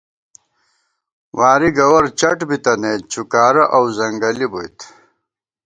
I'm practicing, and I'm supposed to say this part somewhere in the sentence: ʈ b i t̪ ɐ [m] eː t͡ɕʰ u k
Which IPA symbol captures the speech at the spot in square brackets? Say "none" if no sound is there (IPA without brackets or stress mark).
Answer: n